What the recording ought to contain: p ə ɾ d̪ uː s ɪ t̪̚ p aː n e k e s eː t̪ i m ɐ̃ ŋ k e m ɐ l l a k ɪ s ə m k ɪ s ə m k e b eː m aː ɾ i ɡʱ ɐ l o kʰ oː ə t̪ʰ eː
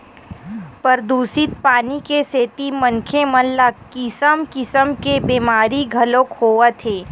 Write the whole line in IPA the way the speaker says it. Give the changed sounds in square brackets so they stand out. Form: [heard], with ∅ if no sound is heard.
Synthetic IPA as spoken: p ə ɾ d̪ uː s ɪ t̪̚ p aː n [i] k e s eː t̪ i m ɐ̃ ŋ [kʰ] e m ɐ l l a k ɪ s ə m k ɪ s ə m k e b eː m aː ɾ i ɡʱ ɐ l o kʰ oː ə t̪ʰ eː